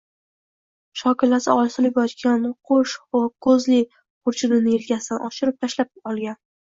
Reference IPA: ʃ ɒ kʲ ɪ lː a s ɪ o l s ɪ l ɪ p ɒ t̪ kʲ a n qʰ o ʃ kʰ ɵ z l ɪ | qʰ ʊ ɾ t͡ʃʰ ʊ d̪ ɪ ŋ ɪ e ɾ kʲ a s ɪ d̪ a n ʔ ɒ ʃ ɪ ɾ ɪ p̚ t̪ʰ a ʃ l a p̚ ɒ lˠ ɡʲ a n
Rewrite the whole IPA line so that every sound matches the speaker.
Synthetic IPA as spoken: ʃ ɒ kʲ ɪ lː a s ɪ ɒ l s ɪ l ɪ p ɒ t̪ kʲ a n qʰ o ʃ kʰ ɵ z l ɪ | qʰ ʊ ɾ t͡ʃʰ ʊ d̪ ɪ n ɪ e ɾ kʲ a s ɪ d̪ a n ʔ ɒ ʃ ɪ ɾ ɪ p̚ t̪ʰ a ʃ l a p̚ ɒ lˠ ɡʲ a n